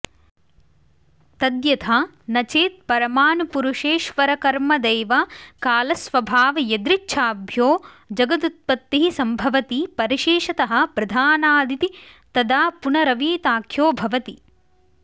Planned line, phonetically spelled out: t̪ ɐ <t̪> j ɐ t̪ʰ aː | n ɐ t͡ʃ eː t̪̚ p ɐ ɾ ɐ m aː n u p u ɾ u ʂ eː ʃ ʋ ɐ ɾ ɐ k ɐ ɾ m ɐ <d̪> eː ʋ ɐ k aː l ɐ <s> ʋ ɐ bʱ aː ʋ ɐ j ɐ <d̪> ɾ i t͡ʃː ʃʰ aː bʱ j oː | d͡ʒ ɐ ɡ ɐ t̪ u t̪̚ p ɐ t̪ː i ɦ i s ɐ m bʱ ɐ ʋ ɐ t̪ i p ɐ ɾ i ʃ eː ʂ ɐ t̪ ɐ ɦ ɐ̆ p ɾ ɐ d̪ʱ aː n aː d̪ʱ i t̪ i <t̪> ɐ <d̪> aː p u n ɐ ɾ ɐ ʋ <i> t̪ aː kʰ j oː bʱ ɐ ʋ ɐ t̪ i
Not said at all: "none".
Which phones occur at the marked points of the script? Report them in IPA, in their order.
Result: d̪, d̪, s, d̪, t̪, d̪, iː

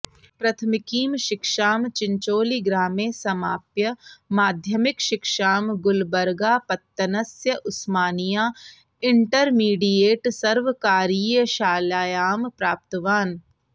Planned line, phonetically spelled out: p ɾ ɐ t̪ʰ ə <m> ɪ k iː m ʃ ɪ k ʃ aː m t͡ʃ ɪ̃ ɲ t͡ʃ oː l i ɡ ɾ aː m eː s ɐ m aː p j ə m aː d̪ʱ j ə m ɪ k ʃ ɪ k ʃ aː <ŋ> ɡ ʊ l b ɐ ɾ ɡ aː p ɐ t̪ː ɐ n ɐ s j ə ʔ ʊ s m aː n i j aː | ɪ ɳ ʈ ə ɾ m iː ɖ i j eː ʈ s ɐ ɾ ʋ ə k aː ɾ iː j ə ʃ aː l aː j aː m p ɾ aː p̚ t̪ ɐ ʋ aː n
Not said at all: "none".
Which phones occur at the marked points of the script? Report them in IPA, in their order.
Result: m, m

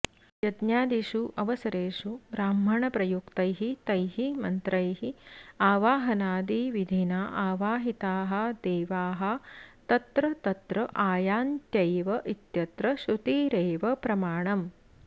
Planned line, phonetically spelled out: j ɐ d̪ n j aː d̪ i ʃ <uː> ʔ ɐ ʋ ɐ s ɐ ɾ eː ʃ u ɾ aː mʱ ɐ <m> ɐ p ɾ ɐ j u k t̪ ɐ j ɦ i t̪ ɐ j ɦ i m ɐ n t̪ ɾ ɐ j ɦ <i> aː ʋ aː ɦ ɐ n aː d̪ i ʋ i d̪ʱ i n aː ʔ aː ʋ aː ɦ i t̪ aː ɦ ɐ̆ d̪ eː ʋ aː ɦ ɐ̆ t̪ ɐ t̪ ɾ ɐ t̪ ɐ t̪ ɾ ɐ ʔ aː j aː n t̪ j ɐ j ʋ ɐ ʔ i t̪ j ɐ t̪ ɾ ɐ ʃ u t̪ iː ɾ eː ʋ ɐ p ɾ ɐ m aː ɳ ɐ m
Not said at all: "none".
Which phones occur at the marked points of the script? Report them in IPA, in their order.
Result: u, ɳ, i

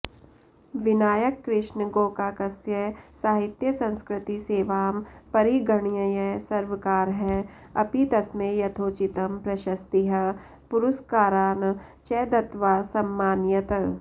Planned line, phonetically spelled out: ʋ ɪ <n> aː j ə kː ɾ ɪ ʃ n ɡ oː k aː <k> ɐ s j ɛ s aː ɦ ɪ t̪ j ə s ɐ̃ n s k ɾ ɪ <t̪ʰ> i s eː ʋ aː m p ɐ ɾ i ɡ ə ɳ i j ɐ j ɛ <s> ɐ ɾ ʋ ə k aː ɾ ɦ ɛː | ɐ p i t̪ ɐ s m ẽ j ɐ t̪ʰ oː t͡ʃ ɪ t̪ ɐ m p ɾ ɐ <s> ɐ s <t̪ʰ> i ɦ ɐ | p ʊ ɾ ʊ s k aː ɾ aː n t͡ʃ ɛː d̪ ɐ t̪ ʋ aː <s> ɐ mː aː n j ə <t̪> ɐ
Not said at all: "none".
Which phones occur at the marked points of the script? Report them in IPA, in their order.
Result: n, k, t̪, s, ʃ, t̪, s, t̪

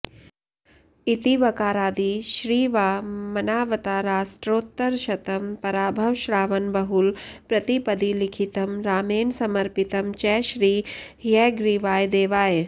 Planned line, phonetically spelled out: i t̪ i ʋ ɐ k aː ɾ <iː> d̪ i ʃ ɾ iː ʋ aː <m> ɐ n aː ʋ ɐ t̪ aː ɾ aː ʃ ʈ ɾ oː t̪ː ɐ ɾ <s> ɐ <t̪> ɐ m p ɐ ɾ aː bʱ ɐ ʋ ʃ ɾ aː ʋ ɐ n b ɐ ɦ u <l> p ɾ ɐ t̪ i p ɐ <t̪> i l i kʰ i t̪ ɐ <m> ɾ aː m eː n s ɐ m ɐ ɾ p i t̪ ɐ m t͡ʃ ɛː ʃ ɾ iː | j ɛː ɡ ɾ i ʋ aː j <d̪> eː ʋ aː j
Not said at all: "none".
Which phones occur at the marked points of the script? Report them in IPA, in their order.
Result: aː, m, ʃ, t̪, l, d̪, m, d̪

